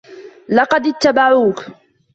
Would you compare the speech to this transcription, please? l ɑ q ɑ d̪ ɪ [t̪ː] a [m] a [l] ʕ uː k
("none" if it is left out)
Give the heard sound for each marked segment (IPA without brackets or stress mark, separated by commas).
t̪ː, b, none